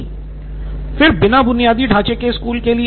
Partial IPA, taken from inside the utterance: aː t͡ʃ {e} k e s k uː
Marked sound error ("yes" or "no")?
no